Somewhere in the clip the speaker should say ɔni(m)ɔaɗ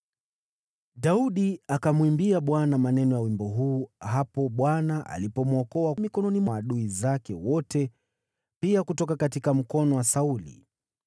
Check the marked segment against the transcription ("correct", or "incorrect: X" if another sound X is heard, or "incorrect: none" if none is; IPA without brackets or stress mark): correct